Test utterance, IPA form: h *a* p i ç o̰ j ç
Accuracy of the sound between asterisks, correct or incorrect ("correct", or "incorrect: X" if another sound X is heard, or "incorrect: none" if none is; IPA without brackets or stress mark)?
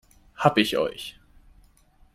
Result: correct